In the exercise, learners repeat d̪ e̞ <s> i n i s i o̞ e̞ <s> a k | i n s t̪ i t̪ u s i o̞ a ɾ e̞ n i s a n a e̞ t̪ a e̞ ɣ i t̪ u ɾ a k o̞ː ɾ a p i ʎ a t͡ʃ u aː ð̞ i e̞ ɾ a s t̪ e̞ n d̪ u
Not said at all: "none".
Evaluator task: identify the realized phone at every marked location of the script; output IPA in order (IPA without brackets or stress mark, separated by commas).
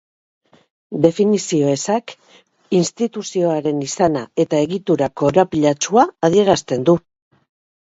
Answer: f, s